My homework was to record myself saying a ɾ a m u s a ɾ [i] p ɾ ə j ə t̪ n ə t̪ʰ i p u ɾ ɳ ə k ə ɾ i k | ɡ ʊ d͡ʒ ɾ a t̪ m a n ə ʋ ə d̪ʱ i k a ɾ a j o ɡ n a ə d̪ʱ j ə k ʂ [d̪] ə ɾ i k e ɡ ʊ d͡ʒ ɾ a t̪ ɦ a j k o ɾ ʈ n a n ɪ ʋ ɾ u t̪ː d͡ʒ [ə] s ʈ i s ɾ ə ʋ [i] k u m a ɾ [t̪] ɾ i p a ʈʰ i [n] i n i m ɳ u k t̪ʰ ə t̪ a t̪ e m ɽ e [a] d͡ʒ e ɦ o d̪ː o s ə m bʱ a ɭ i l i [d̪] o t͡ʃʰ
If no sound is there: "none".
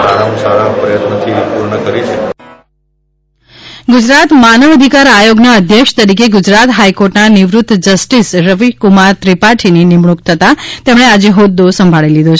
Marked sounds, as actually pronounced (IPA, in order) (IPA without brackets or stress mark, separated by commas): a, t̪, ə, i, t̪, n, a, d̪